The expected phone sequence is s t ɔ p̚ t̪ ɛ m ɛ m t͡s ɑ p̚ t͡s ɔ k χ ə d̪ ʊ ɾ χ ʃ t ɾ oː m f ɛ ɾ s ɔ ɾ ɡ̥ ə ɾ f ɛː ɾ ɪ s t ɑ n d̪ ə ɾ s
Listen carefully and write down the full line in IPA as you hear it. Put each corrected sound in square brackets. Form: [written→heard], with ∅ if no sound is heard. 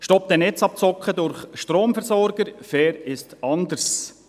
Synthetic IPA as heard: [s→ʃ] t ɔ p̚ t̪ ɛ [m→n] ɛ [m→∅] t͡s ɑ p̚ t͡s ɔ k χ ə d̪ ʊ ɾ χ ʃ t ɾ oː m f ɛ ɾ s ɔ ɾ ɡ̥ ə ɾ f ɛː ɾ ɪ s t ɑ n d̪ ə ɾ s